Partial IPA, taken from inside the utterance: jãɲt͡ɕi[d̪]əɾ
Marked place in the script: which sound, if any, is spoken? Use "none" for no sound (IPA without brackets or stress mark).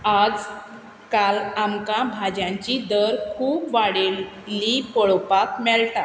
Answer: d̪